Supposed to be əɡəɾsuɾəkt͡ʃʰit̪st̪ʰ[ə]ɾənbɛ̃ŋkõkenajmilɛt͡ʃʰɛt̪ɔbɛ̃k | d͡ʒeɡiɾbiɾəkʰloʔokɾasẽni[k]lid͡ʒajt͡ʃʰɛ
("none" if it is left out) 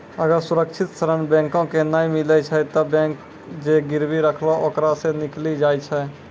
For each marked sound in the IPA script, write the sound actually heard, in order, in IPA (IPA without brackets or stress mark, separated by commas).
ə, k